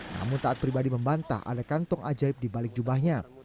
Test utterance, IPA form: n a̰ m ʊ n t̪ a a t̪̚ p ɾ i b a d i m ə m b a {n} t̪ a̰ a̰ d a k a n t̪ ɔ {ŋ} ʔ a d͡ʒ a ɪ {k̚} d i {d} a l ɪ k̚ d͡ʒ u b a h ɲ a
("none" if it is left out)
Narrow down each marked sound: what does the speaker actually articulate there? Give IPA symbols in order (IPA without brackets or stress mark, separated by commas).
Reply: n, ŋ, p̚, b